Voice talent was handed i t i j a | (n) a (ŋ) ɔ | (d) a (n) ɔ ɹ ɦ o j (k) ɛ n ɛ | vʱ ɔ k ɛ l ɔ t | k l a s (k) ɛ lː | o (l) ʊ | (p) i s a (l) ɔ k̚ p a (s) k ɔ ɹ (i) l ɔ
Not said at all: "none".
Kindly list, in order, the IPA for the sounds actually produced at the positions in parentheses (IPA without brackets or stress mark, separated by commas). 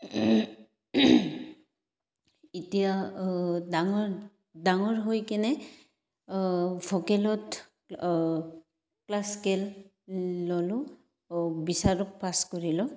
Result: d, ŋ, d, ŋ, k, k, l, b, ɹ, s, i